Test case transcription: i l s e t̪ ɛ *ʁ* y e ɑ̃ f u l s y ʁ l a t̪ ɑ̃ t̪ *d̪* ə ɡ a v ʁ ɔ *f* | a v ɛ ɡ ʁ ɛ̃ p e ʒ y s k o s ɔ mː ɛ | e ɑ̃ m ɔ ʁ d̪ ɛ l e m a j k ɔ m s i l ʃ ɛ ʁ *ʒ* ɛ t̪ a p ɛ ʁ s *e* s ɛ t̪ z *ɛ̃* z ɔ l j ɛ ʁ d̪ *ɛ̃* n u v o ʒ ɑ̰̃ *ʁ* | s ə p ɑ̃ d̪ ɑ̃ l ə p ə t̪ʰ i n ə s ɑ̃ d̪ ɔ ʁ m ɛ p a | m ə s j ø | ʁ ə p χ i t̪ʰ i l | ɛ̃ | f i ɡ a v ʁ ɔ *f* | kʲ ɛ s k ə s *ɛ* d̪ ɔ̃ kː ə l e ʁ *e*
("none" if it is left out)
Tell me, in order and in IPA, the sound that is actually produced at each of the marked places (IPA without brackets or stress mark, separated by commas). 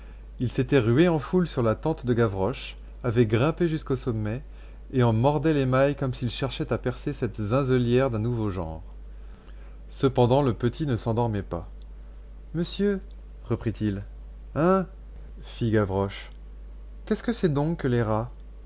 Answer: ʁ, d̪, ʃ, ʃ, e, ɛ̃, ɛ̃, ʁ, ʃ, ɛ, a